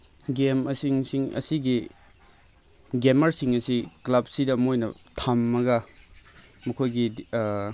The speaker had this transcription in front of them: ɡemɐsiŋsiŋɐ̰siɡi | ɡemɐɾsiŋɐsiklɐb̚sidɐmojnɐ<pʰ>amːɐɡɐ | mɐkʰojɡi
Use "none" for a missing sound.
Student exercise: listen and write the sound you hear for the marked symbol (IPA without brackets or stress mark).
tʰ